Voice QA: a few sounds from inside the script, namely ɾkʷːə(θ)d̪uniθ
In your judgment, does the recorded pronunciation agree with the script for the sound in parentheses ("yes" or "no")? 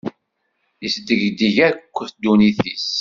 yes